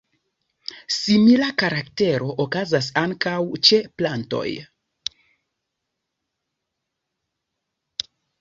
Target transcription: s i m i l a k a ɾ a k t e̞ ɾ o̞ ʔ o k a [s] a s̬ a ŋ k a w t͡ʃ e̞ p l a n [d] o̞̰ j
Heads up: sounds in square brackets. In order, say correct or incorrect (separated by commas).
incorrect, incorrect